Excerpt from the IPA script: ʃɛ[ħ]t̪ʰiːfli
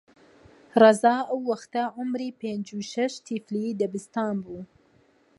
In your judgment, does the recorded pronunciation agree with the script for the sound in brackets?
no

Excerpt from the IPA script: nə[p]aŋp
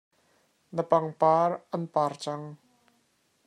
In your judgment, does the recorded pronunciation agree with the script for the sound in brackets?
yes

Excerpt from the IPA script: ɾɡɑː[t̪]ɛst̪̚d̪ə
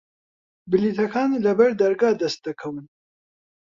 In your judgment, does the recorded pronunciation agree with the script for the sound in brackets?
no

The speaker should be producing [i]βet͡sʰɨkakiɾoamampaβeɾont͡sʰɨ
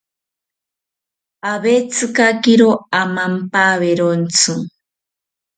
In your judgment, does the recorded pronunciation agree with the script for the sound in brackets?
no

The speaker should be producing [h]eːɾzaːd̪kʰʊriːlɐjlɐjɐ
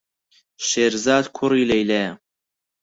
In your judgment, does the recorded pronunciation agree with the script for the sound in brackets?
no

